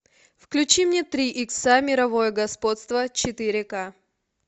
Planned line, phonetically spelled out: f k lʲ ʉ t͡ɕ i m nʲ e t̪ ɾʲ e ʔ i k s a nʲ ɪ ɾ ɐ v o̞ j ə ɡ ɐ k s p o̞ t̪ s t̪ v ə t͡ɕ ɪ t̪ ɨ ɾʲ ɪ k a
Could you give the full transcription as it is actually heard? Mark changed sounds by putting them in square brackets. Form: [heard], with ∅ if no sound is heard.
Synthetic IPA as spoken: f k lʲ ʉ t͡ɕ i m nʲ e t̪ ɾʲ [i] ʔ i k s a [mʲ] ɪ ɾ ɐ v o̞ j ə ɡ ɐ [∅] s p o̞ t̪ s t̪ v ə t͡ɕ ɪ t̪ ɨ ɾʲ ɪ k a